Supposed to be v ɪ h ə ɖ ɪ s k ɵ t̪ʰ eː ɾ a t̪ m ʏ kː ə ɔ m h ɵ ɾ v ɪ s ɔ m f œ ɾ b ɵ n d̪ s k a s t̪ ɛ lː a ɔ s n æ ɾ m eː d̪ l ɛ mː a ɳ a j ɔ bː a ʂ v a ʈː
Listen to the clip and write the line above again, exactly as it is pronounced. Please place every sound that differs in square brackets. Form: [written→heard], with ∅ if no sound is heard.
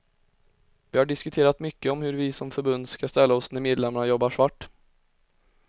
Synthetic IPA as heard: v ɪ h [ə→a] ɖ ɪ s k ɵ t̪ʰ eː ɾ a t̪ m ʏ kː ə ɔ m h ɵ ɾ v ɪ s ɔ m f œ ɾ b ɵ n d̪ s k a s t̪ ɛ lː a ɔ s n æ ɾ m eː d̪ l ɛ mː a ɳ a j ɔ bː a ʂ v a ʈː